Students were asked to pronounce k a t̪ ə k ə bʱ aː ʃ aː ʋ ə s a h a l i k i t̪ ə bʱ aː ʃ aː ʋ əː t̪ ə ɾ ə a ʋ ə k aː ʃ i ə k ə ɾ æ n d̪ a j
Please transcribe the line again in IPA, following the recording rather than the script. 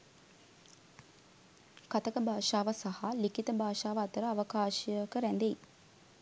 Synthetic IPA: k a t̪ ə k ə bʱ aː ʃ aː ʋ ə s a h a l i k i t̪ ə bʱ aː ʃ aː ʋ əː t̪ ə ɾ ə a ʋ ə k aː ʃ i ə k ə ɾ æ n d̪ e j